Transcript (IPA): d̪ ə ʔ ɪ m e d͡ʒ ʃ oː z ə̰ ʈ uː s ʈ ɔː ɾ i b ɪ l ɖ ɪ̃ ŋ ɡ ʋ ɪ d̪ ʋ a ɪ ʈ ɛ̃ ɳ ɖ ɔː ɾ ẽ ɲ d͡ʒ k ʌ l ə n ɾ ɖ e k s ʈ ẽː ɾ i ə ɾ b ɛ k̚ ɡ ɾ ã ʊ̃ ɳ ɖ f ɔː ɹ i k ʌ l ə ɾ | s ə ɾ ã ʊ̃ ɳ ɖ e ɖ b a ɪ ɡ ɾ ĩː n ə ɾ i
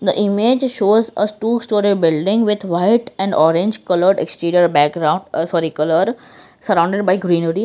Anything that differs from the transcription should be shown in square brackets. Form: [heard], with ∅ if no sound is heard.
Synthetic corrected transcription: d̪ ə ʔ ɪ m e d͡ʒ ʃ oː z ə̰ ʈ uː s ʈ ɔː ɾ i b ɪ l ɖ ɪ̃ ŋ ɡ ʋ ɪ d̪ ʋ a ɪ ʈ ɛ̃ ɳ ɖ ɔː ɾ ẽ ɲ d͡ʒ k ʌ l ə [∅] ɾ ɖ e k s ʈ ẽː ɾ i ə ɾ b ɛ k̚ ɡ ɾ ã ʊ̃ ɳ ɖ [s] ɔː [ɾ] i k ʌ l ə ɾ | s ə ɾ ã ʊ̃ ɳ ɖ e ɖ b a ɪ ɡ ɾ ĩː n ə ɾ i